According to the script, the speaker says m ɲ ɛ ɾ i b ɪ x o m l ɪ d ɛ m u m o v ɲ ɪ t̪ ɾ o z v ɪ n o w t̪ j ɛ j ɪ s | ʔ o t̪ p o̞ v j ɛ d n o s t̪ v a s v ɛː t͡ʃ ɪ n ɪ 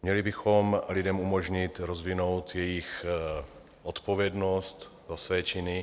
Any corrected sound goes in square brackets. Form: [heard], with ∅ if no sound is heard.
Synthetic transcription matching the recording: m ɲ ɛ [l] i b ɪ x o m l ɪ d ɛ m u m o [ʒ] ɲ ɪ t̪ ɾ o z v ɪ n o w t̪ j ɛ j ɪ [x] | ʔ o t̪ p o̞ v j ɛ d n o s t̪ [z] a s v ɛː t͡ʃ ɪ n ɪ